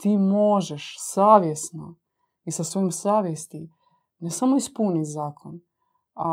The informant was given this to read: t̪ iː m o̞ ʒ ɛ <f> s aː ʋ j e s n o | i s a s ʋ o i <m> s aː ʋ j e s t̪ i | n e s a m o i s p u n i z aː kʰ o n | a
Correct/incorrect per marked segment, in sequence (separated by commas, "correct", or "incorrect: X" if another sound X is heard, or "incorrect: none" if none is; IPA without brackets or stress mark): incorrect: ʃ, correct